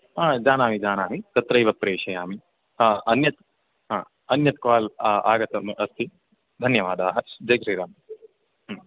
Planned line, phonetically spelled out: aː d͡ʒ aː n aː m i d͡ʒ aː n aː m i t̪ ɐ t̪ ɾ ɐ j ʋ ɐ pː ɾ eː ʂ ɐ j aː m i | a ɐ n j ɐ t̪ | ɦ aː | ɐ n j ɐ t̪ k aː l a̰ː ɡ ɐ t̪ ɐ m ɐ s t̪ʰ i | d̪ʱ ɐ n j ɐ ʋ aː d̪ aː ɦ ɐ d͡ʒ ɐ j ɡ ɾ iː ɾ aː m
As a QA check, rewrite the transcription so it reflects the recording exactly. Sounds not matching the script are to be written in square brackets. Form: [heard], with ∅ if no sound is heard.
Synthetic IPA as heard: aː d͡ʒ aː n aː m i d͡ʒ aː n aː m i t̪ ɐ t̪ ɾ ɐ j ʋ ɐ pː ɾ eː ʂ ɐ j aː m i | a ɐ n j ɐ t̪ | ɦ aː | ɐ n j ɐ t̪ k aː l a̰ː ɡ ɐ t̪ ɐ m ɐ s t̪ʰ i | d̪ʱ ɐ n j ɐ ʋ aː d̪ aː ɦ ɐ d͡ʒ ɐ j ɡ ɾ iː ɾ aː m